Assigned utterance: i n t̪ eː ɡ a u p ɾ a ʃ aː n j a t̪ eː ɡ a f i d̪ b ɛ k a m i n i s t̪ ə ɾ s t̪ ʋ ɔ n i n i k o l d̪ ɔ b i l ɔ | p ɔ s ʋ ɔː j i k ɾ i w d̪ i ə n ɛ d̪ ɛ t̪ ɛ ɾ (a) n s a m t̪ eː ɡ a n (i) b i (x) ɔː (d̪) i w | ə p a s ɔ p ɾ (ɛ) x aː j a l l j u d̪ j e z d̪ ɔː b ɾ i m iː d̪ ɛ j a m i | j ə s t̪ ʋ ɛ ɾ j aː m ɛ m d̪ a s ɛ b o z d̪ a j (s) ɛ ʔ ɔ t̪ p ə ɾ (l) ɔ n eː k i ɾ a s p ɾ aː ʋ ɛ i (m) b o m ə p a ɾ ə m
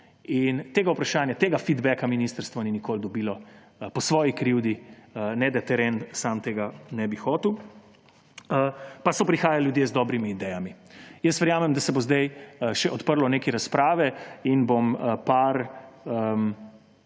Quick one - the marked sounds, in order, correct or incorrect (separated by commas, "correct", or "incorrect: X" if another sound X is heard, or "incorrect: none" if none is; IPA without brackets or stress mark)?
incorrect: e, incorrect: ɛ, correct, incorrect: t̪, incorrect: i, incorrect: ʃ, correct, incorrect: n